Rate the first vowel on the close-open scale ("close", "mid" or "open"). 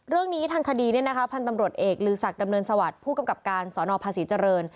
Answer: close